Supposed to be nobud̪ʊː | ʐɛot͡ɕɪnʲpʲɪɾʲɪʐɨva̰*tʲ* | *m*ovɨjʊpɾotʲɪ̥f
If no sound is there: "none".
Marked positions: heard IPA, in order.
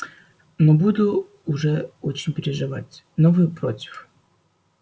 tʲ, n

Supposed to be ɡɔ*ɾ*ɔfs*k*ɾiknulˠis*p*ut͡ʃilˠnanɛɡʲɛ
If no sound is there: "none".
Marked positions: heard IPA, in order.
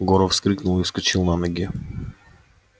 ɾ, k, k

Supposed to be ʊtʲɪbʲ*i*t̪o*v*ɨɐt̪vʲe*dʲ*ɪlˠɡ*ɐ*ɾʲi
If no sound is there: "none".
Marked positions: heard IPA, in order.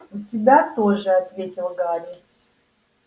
a, ʐ, tʲ, a

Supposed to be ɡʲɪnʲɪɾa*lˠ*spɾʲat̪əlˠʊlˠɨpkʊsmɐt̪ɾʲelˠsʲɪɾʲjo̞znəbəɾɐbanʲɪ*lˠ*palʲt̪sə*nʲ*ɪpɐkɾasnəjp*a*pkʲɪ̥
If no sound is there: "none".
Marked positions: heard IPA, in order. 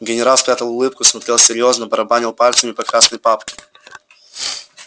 lˠ, lˠ, mʲ, a

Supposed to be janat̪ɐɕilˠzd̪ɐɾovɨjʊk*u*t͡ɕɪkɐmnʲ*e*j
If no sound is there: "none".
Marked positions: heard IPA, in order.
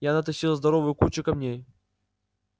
u, e

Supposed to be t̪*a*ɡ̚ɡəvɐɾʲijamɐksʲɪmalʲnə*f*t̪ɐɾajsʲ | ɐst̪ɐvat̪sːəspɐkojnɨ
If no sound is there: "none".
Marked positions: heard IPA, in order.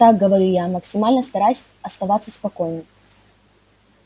a, s

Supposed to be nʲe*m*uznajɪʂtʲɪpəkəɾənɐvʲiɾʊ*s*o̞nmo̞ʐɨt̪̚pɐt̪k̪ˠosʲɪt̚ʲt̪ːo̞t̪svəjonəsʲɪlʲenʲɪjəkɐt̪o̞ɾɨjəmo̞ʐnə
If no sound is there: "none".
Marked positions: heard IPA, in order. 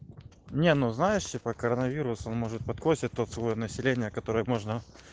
n, s

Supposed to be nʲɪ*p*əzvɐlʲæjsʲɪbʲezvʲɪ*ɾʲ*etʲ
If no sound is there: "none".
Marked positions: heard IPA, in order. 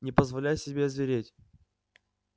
p, ɾʲ

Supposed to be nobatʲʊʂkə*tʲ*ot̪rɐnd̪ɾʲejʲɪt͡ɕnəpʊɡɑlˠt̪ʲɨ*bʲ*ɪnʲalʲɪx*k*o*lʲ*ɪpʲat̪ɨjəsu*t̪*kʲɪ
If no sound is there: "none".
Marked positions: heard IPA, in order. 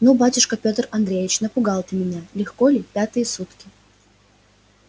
pʲ, mʲ, k, lʲ, t̪

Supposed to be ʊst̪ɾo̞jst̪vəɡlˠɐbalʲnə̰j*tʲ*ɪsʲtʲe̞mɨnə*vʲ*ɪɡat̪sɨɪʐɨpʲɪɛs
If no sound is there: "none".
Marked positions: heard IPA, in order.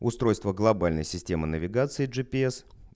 sʲ, vʲ

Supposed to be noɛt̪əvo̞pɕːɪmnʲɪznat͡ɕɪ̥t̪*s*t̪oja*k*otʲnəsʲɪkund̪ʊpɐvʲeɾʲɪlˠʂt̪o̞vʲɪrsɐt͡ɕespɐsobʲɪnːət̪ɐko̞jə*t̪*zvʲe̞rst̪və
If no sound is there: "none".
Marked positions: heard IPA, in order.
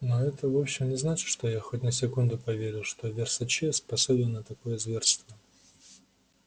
ʂ, x, none

